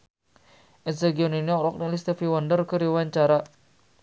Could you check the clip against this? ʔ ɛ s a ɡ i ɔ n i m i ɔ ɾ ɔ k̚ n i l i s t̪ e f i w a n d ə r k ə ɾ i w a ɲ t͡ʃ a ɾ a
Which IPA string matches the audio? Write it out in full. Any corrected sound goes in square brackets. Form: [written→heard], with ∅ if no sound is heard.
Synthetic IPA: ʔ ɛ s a ɡ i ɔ n i [m→n] i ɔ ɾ ɔ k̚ n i l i s t̪ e f i w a n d ə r k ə ɾ i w a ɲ t͡ʃ a ɾ a